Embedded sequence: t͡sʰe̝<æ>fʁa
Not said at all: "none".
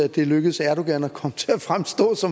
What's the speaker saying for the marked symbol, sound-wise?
æ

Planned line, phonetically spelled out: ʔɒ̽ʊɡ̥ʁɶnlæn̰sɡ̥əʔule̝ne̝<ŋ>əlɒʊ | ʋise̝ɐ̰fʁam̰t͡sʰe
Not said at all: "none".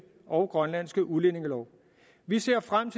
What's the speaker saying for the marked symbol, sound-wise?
ŋ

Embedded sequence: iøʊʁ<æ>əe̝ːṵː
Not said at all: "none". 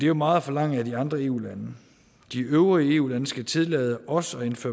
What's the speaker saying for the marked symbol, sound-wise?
i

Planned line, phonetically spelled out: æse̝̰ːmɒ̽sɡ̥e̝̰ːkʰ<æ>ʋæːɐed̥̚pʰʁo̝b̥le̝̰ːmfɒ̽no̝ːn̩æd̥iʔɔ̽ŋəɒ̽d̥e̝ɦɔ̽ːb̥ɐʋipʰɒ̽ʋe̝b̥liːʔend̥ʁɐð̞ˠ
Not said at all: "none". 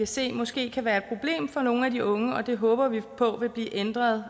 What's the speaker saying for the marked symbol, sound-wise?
æ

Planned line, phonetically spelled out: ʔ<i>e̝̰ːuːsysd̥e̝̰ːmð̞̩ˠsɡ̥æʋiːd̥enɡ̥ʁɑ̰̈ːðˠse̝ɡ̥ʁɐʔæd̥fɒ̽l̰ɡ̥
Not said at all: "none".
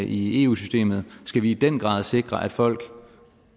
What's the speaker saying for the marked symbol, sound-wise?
i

